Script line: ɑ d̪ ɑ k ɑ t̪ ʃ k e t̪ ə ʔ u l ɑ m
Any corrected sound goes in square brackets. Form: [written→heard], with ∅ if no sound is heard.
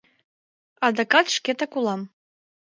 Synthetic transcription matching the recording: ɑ d̪ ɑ k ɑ t̪ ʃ k e t̪ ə [ʔ→k] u l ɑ m